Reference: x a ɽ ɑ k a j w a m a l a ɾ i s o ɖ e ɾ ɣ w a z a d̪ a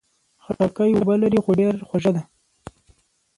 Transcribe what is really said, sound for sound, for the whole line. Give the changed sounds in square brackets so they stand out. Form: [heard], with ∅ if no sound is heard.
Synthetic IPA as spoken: x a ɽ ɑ k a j w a [b] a l a ɾ i [x] o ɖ e ɾ [x] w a [ʒ] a d̪ a